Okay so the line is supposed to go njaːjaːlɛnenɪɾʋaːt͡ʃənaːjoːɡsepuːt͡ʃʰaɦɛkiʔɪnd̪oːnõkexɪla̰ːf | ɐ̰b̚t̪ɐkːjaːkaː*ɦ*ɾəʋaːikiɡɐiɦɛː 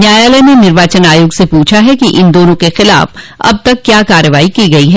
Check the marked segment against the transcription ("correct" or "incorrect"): incorrect